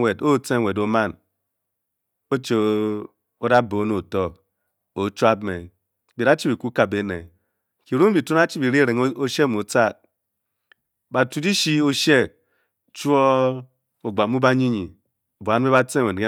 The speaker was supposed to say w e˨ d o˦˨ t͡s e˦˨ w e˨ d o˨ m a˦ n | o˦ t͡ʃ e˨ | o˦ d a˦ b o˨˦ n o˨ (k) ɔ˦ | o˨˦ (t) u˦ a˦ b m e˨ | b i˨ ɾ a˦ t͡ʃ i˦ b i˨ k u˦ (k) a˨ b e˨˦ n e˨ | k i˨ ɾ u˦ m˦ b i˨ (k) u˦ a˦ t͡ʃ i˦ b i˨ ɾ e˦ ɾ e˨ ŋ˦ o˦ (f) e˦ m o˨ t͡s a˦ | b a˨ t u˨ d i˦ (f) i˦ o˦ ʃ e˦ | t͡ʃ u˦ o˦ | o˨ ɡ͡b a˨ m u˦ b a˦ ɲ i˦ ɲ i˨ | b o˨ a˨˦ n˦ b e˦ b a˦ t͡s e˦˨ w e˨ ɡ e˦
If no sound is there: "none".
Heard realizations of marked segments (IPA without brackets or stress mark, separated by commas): t, t͡ʃ, k, t, ʃ, ʃ